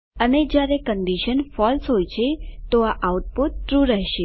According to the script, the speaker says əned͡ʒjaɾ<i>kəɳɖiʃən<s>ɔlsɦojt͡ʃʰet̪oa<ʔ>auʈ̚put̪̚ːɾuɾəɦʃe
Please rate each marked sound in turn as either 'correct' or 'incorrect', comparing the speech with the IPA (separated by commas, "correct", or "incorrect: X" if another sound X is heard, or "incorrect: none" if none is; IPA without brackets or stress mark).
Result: incorrect: e, incorrect: f, correct